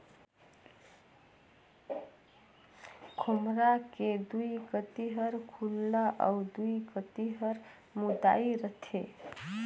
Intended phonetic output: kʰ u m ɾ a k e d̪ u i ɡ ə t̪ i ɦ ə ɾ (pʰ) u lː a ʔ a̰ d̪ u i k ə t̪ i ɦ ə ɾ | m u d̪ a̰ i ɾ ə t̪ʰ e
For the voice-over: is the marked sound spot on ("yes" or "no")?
no